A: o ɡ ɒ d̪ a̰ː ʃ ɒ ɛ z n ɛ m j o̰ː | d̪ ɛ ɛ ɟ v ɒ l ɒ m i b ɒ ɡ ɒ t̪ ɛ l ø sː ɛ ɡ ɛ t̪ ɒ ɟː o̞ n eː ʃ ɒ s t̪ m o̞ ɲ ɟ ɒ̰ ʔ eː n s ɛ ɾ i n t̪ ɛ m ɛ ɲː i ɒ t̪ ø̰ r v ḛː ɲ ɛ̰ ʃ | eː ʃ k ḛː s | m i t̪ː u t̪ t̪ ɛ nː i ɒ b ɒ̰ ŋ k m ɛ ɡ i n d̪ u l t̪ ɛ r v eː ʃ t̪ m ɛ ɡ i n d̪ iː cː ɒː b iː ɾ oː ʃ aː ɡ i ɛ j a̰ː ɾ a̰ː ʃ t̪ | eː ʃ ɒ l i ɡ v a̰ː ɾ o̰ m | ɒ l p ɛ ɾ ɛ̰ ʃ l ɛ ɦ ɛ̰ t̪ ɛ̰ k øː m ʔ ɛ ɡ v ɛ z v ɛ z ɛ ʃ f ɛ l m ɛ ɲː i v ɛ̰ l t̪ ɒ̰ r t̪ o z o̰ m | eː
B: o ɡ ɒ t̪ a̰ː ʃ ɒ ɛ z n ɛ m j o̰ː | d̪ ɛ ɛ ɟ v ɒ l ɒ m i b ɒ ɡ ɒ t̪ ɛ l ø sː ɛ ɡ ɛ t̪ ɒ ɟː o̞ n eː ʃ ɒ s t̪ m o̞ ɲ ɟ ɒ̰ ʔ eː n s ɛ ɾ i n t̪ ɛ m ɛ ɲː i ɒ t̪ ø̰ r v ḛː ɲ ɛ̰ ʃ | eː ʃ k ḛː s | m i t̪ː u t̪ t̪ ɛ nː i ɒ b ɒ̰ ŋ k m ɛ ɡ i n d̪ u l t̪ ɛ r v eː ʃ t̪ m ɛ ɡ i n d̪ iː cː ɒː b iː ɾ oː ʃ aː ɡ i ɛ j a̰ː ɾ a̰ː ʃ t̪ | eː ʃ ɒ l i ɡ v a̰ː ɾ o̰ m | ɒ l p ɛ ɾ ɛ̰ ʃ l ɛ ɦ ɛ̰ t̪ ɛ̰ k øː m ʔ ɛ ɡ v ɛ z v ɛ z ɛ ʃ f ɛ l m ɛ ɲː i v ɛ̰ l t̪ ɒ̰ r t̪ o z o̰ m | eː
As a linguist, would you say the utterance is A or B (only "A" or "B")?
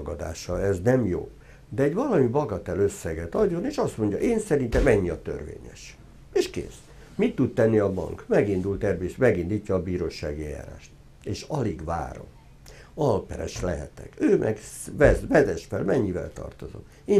A